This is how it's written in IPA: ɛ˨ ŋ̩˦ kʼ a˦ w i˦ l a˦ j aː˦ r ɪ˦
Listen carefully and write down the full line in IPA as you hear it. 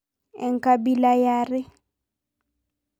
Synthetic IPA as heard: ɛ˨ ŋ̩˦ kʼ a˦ b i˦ l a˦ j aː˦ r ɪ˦